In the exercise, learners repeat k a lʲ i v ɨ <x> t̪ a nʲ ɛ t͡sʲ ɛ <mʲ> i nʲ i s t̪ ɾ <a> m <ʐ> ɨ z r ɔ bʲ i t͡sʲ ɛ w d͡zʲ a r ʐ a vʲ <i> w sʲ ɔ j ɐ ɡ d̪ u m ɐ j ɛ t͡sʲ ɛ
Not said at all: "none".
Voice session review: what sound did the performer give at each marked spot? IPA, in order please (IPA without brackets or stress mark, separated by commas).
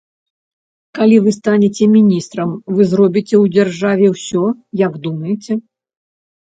s, mʲ, ɐ, v, ɛ